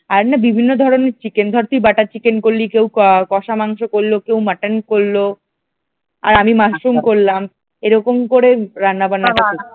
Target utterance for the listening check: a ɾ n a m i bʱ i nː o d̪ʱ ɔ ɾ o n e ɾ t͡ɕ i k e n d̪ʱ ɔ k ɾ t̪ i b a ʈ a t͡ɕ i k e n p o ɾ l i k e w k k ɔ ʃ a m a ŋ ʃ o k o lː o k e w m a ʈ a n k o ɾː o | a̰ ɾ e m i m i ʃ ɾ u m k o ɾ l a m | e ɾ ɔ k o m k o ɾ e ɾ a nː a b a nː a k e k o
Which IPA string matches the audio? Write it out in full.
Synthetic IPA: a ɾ n a b i bʱ i nː o d̪ʱ ɔ ɾ o n e ɾ t͡ɕ i k e n d̪ʱ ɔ ɾ t̪ i b a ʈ a t͡ɕ i k e n k o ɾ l i k e w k k ɔ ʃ a m a ŋ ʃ o k o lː o k e w m a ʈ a n k o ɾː o | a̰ ɾ a m i m a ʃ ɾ u m k o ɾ l a m | e ɾ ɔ k o m k o ɾ e ɾ a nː a b a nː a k a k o

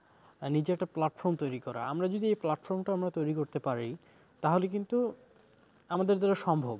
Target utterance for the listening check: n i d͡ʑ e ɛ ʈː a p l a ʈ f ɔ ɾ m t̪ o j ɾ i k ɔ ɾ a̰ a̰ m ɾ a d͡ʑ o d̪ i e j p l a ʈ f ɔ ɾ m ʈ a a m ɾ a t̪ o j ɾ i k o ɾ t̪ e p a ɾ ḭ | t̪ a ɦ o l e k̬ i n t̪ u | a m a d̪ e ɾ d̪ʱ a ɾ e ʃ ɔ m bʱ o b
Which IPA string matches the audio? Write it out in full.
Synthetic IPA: n i d͡ʑ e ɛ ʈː a p l a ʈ f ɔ ɾ m t̪ o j ɾ i k ɔ ɾ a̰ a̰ m ɾ a d͡ʑ o d̪ i e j p l a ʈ f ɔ ɾ m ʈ a a m ɾ a t̪ o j ɾ i k o ɾ t̪ e p a ɾ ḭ | t̪ a ɦ o l e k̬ i n t̪ u | a m a d̪ e ɾ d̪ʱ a ɾ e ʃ ɔ m bʱ o b

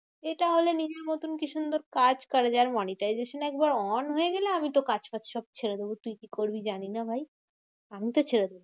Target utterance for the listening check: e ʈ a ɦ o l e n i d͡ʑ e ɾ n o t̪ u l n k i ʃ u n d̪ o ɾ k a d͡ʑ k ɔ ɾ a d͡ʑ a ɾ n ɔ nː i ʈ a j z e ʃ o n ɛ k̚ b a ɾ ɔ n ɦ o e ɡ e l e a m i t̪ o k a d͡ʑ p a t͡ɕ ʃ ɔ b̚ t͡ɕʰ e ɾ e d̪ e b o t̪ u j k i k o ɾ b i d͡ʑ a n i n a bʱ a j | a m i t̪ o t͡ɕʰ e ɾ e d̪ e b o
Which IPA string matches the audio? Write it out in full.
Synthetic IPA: e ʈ a ɦ o l e n i d͡ʑ e ɾ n o t̪ u n k i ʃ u n d̪ o ɾ k a d͡ʑ k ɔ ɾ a d͡ʑ a ɾ m ɔ n i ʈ a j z e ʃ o n ɛ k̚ b a ɾ ɔ n ɦ o e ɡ e l e a m i t̪ o k a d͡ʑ p a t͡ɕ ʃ ɔ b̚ t͡ɕʰ e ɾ e d̪ e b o t̪ u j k i k o ɾ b i d͡ʑ a n i n a bʱ a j | a m i t̪ o t͡ɕʰ e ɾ e d̪ e b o

